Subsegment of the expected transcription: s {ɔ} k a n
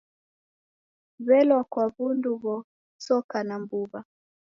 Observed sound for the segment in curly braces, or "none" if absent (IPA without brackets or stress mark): ɔ